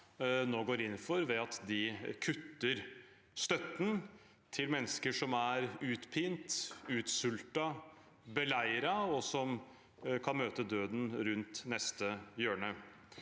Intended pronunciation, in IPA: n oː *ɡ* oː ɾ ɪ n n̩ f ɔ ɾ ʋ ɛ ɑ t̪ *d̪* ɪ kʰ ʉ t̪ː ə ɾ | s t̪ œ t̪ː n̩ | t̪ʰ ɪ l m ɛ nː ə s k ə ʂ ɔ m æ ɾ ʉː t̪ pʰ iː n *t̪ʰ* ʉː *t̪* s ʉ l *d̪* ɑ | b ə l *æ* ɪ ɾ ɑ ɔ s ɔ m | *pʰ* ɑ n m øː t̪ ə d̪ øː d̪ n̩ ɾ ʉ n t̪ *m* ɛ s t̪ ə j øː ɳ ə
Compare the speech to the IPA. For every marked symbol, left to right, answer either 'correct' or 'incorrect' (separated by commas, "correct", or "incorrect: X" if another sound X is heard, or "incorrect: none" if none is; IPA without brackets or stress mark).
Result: correct, correct, incorrect: t̪, correct, incorrect: t̪, correct, incorrect: kʰ, incorrect: n